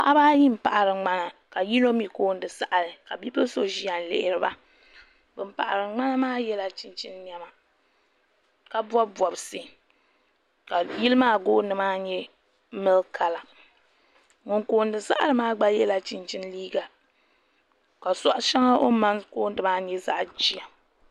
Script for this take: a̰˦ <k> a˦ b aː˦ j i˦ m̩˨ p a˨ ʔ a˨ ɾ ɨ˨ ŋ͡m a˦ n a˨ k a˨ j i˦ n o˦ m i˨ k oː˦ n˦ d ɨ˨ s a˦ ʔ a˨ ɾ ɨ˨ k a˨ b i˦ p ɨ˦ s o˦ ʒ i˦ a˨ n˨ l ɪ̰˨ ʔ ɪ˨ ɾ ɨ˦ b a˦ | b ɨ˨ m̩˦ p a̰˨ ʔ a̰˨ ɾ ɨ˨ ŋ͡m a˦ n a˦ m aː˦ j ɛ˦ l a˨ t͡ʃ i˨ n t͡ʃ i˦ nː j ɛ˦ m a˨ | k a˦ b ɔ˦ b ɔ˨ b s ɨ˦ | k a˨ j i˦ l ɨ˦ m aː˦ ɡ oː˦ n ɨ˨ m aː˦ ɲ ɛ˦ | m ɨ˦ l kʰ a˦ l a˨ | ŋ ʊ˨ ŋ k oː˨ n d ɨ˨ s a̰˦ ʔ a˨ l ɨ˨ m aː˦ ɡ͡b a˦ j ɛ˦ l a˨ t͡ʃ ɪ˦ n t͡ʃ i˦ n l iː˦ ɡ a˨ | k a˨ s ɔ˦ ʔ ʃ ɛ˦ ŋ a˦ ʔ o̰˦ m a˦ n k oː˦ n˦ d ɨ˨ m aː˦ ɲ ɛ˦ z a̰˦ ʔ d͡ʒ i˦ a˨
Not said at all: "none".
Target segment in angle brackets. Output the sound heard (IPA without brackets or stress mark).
ʔ